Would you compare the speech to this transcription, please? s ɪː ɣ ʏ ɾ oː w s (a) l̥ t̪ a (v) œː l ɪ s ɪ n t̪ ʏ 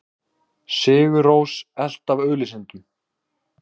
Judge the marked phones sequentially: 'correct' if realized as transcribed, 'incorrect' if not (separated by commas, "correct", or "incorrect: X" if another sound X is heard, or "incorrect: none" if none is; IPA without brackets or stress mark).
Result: incorrect: ɛ, correct